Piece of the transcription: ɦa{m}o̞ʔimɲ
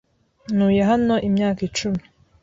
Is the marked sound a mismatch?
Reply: yes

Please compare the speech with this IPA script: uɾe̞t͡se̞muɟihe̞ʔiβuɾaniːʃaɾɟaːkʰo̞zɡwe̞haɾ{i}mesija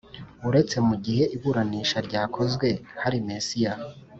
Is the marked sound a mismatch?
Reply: no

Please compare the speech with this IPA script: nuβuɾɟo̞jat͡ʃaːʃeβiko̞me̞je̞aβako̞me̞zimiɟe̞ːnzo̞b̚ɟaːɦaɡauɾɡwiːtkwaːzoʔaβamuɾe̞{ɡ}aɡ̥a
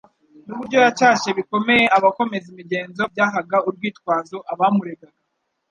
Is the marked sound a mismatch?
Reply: no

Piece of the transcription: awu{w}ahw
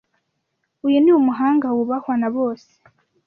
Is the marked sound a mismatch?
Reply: yes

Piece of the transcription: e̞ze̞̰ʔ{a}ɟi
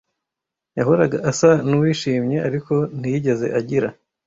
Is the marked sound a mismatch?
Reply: no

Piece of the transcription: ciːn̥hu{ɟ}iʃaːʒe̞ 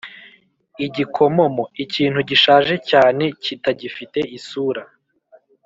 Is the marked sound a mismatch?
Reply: no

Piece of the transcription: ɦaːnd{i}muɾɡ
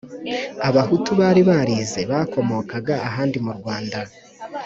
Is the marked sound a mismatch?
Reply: no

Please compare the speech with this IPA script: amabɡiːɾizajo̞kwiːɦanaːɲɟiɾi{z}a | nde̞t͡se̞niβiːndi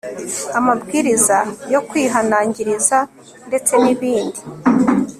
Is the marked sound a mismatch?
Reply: no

